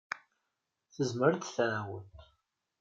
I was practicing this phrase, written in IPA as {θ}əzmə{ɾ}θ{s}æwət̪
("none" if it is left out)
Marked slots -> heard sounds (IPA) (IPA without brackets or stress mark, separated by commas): θ, ɾ, θ